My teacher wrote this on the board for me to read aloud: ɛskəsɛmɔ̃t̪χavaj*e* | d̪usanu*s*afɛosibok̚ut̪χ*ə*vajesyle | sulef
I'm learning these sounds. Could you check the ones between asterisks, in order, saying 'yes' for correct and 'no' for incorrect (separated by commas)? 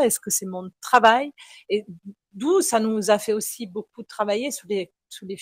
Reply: yes, no, no